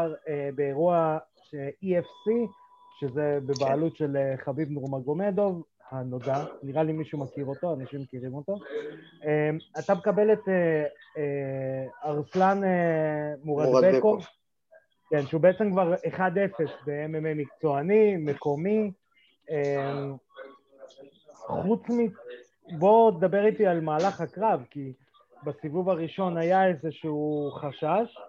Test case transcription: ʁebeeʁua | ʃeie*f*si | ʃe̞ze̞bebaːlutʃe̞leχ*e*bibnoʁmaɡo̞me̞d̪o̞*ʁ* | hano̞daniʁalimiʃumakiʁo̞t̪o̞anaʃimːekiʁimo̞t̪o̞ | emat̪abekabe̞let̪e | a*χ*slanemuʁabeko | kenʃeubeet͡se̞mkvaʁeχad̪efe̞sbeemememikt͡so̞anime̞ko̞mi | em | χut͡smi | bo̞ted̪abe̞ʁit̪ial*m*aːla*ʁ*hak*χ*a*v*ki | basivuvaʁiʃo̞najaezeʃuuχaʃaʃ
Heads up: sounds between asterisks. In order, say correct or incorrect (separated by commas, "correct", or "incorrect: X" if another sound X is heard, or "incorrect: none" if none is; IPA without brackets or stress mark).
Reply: correct, incorrect: a, incorrect: v, incorrect: ʁ, correct, incorrect: χ, incorrect: ʁ, correct